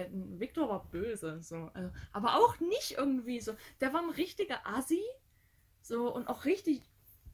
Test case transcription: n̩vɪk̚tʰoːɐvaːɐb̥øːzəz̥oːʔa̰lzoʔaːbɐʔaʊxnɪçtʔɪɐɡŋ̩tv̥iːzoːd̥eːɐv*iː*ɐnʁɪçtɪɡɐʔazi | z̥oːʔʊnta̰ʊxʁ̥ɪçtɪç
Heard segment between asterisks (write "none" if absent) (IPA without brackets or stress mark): aː